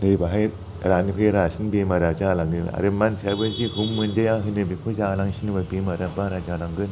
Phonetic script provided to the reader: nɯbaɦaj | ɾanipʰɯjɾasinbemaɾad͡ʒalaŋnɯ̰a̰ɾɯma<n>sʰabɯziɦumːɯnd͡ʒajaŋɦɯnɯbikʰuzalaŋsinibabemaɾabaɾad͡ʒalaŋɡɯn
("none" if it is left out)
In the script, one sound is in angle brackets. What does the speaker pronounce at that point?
n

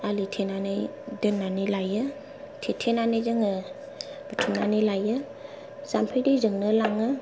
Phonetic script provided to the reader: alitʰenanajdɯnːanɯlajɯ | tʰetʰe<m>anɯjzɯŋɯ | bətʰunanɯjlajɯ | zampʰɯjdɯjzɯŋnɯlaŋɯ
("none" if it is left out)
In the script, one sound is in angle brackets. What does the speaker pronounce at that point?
n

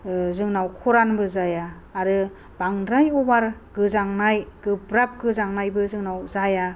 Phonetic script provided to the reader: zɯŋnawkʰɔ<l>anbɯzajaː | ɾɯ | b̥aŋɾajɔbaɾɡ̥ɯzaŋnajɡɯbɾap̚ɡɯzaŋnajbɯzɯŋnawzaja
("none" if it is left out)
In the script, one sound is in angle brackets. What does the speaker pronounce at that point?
ɾ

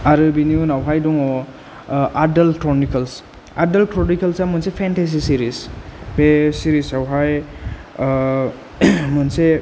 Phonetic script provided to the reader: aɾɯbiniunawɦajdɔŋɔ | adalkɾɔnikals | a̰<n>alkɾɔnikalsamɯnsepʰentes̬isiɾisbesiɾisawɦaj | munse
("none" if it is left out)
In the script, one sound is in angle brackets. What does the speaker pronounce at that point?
d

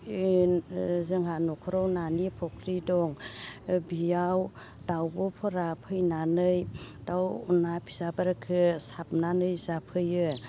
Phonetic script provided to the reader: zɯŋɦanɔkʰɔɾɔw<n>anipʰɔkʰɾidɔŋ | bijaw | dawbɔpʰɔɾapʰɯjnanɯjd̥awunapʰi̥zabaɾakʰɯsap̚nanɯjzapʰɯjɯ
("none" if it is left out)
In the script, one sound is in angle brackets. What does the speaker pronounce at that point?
n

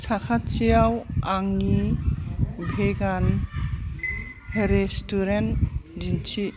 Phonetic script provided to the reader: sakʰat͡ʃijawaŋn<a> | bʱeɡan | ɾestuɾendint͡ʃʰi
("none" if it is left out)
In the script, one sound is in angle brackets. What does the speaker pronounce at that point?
i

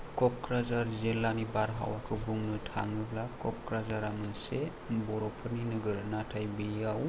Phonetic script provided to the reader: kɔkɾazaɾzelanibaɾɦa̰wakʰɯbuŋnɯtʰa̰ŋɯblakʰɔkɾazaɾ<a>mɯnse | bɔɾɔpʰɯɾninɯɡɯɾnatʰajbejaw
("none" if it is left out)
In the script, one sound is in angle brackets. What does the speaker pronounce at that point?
a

